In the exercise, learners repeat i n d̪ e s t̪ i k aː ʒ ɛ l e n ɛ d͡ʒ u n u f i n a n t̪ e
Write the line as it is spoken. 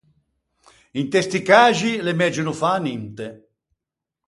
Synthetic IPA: i n t̪ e s t̪ i k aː ʒ i l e m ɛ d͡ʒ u n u f a n i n t̪ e